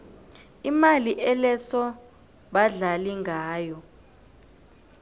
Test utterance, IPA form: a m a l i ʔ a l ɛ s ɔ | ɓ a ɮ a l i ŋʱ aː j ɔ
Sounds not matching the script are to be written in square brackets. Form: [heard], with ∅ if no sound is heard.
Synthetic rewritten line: [i] m a l i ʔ [ɛ] l ɛ s ɔ | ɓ a ɮ a l i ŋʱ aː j ɔ